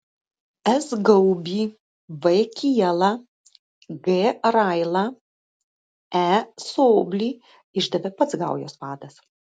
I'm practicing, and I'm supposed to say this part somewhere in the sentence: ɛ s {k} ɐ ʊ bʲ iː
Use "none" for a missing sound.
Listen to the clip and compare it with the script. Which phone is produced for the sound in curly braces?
ɡ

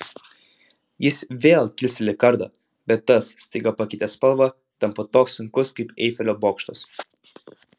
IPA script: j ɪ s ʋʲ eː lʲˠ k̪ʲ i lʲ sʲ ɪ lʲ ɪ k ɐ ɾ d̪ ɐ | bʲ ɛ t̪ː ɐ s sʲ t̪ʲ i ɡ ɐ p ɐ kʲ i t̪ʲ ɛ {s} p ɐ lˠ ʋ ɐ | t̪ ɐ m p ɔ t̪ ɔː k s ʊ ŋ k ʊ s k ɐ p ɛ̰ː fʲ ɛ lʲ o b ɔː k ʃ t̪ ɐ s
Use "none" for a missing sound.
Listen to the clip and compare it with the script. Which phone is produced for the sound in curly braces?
s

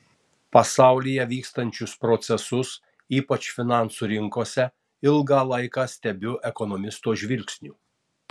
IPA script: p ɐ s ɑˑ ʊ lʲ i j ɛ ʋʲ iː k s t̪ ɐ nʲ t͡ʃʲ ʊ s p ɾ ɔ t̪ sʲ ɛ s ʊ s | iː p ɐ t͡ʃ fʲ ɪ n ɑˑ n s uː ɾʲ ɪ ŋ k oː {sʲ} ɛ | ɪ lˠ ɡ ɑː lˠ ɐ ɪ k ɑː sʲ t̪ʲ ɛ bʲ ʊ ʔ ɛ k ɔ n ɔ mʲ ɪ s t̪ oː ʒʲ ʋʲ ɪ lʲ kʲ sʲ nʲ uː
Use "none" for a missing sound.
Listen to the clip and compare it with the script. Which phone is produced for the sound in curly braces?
sʲ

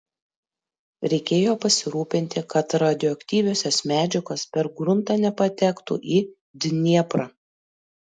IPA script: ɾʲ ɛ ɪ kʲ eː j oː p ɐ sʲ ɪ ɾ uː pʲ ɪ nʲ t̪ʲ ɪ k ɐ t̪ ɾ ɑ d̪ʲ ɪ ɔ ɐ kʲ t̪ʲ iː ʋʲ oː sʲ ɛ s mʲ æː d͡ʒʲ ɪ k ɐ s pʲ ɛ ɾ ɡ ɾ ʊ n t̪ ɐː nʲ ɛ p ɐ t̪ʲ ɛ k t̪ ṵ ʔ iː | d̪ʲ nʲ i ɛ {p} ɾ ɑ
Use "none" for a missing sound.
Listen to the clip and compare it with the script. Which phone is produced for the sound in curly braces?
p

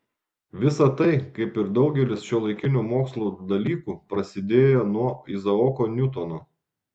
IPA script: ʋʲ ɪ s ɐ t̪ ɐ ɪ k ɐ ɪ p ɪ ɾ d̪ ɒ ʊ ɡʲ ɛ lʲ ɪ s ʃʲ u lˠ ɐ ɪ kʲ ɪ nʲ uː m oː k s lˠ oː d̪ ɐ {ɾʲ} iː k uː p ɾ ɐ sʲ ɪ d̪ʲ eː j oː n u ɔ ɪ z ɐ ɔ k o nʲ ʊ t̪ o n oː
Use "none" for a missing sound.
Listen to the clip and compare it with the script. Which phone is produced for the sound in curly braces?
lʲ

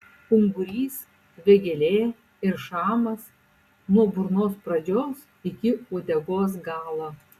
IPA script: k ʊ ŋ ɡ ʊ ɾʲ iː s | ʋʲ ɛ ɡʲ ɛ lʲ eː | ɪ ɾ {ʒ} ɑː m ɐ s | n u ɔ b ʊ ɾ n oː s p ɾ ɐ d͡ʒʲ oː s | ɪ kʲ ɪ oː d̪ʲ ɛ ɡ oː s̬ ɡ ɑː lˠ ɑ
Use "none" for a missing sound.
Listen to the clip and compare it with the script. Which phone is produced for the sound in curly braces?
ʃ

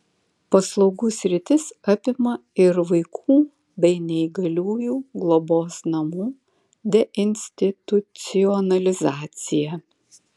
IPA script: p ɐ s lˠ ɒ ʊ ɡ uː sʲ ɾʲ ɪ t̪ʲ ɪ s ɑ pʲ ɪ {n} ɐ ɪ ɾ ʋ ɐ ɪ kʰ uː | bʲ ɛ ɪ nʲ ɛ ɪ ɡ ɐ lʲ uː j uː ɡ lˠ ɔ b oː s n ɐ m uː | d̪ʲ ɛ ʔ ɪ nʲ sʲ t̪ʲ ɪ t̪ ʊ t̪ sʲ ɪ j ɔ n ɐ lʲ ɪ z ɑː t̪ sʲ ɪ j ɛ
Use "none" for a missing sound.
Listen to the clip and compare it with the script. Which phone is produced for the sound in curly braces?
m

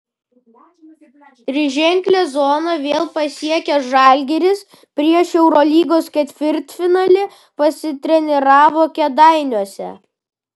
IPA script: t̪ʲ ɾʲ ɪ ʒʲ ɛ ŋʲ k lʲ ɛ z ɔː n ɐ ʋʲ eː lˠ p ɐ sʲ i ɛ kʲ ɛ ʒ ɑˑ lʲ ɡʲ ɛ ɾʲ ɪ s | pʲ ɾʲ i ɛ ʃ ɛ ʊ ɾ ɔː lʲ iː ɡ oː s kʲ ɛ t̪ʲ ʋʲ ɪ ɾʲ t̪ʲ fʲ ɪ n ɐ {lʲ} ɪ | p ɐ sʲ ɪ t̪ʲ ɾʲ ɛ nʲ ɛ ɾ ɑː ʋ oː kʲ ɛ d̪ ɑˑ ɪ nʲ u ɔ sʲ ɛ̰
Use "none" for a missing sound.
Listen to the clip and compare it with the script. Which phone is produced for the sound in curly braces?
lʲ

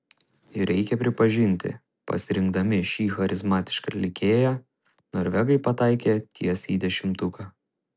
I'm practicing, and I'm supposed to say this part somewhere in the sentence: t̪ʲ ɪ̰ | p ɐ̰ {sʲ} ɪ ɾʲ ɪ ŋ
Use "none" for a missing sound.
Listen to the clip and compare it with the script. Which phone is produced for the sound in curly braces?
sʲ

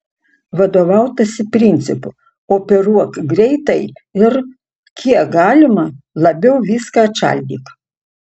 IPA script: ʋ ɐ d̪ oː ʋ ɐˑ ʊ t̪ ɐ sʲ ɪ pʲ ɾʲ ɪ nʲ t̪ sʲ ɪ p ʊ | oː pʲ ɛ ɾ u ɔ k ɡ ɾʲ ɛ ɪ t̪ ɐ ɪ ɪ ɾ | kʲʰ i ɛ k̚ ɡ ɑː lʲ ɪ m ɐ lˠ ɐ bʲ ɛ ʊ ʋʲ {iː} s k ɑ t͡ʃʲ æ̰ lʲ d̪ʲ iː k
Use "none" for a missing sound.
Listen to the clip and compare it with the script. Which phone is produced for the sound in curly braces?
iː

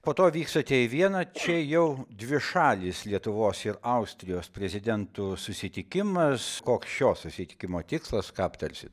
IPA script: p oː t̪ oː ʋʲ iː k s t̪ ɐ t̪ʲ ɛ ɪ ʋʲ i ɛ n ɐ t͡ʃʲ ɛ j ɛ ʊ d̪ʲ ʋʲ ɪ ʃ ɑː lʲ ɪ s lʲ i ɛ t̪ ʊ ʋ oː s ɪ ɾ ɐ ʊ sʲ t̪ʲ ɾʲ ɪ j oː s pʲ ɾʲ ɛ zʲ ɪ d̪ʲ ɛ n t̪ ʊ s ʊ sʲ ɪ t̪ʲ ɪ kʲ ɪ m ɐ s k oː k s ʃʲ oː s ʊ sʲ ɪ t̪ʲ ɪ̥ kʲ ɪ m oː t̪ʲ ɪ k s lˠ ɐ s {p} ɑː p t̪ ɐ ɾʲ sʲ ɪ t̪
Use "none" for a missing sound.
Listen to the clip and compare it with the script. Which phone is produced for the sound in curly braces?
k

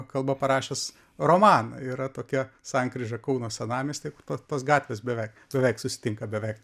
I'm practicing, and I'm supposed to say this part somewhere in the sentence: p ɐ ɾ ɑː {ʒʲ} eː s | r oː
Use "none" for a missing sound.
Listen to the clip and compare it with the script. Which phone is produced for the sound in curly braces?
ʃʲ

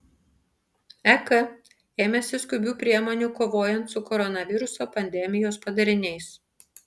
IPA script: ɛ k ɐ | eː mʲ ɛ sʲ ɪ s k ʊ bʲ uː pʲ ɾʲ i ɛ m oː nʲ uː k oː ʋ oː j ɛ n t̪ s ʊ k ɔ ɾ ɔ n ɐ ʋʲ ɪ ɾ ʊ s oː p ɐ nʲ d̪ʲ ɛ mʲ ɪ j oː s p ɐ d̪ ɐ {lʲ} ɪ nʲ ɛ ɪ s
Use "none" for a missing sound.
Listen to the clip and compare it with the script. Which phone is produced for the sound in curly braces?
ɾʲ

